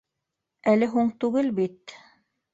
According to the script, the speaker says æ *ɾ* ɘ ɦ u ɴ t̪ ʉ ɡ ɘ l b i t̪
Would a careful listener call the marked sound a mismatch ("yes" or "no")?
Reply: yes